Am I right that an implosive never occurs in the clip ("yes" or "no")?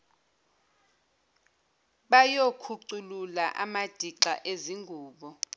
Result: no